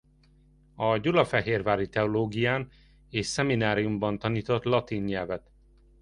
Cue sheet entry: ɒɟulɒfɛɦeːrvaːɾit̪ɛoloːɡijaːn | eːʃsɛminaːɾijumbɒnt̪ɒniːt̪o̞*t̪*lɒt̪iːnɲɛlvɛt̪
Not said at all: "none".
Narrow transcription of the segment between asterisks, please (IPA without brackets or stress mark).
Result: t̪